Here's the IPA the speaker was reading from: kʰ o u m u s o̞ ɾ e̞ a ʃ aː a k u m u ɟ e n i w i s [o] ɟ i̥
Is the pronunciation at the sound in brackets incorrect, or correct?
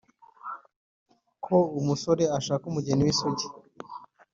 correct